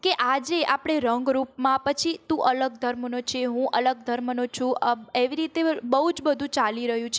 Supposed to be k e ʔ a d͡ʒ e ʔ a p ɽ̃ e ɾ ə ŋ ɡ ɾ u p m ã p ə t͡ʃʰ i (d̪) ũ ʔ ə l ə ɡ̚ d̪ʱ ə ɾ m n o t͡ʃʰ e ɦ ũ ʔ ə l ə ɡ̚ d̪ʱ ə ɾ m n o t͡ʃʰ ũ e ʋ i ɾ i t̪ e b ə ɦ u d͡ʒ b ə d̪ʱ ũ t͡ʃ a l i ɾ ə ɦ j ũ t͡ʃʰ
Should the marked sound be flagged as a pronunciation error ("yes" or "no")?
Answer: yes